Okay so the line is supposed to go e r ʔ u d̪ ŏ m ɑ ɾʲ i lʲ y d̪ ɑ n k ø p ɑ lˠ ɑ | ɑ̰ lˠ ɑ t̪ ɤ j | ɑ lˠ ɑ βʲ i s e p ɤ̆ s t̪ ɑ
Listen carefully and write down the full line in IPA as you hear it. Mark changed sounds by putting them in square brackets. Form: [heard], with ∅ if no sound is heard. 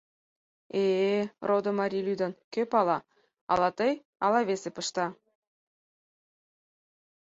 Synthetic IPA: e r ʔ [o] d̪ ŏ m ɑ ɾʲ i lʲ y d̪ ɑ n k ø p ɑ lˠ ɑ | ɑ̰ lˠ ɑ t̪ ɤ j | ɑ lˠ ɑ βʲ [e] s e p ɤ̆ [ʃ] t̪ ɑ